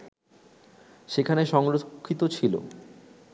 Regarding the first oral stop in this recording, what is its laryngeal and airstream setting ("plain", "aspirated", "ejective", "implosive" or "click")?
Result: aspirated